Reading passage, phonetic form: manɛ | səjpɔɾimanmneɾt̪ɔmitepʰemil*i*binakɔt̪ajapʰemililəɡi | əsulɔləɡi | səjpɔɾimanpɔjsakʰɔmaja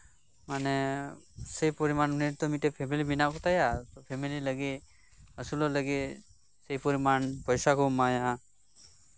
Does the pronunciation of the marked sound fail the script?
no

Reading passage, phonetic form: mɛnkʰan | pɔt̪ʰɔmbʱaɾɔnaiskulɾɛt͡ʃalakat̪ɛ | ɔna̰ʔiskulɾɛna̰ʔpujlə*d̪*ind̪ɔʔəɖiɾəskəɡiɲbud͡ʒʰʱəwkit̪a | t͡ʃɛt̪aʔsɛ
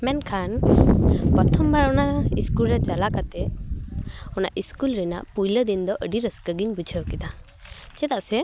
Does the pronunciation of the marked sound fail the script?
no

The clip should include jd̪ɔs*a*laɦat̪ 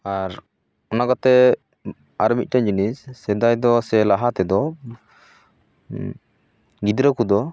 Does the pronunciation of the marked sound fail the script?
yes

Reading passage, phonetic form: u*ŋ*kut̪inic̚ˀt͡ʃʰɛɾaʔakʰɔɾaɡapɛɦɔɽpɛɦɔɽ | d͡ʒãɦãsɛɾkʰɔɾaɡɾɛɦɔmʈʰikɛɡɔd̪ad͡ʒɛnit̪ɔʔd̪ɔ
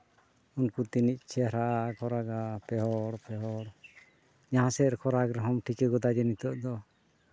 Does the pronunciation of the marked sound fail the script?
yes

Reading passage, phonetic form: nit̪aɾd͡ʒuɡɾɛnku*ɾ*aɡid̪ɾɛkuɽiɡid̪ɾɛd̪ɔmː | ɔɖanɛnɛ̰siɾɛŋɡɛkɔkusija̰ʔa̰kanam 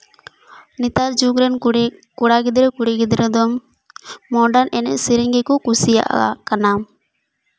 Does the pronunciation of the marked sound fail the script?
yes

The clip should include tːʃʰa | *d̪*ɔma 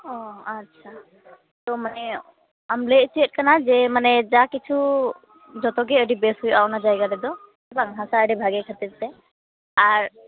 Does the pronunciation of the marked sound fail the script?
yes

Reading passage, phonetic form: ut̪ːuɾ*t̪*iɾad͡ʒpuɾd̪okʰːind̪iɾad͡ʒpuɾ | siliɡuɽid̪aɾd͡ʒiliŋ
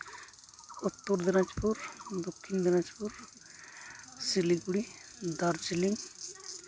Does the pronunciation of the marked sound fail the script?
yes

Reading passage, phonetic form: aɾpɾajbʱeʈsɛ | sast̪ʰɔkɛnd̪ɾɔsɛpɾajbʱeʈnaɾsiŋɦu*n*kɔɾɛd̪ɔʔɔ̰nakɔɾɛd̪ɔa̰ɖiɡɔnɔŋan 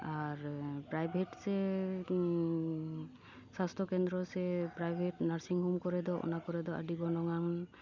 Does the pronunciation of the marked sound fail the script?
yes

